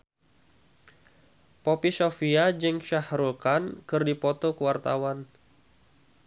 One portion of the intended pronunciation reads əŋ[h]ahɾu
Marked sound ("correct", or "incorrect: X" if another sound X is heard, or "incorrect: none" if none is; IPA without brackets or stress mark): incorrect: ʃ